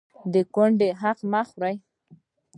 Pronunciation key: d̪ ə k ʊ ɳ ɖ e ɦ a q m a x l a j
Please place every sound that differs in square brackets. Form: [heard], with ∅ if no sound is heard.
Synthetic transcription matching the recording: d̪ ə k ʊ ɳ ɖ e ɦ a q m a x [ɾ] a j